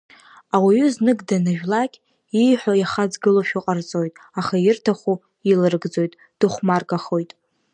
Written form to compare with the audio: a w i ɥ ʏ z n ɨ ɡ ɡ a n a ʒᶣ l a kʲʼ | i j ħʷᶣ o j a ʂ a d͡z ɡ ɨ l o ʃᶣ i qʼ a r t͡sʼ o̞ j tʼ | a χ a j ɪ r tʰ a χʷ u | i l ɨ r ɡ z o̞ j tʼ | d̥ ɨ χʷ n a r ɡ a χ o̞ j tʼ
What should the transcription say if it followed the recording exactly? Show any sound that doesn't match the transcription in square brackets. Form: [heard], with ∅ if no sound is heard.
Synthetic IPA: a w i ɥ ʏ z n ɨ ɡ [d] a n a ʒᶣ l a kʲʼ | i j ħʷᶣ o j a [χ] a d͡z ɡ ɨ l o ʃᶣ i qʼ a r t͡sʼ o̞ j tʼ | a χ a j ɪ r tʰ a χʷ u | i l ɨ r ɡ [d͡z] o̞ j tʼ | d̥ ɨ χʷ [m] a r ɡ a χ o̞ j tʼ